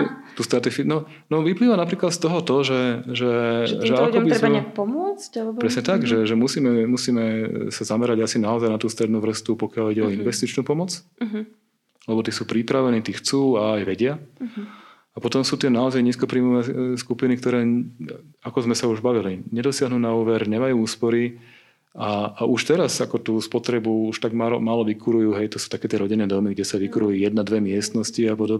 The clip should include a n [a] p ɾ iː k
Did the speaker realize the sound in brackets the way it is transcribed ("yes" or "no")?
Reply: yes